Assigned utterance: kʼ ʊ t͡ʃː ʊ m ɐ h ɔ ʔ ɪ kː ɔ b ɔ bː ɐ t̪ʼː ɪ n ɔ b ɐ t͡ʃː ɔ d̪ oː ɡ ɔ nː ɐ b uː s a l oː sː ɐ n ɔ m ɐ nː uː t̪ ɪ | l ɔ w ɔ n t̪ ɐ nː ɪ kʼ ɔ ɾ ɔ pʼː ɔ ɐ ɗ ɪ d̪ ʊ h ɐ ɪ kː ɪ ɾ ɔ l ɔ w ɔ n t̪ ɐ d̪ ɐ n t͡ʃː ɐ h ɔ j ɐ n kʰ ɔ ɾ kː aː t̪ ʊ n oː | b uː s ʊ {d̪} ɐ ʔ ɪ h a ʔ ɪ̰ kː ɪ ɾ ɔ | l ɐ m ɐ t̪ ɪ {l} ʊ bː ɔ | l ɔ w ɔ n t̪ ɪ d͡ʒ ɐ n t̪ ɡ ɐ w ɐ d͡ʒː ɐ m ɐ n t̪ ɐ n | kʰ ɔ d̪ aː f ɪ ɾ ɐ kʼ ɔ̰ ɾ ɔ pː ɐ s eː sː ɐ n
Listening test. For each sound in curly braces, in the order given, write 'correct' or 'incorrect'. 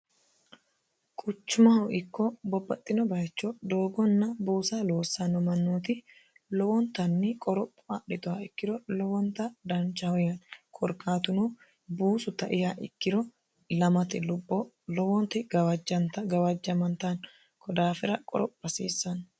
incorrect: t̪, correct

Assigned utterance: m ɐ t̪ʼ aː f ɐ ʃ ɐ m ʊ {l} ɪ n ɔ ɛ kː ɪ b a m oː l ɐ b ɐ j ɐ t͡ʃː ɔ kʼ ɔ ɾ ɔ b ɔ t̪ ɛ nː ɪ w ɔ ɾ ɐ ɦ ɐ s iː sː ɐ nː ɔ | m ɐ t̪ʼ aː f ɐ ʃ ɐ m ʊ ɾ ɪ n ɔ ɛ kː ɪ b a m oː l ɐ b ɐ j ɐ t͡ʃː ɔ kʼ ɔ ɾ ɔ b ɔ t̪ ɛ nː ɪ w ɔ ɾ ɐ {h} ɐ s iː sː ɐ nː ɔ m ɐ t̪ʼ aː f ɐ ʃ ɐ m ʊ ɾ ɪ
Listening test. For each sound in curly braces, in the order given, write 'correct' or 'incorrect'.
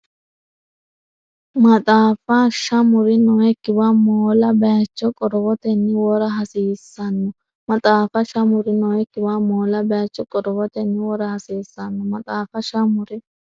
incorrect: ɾ, correct

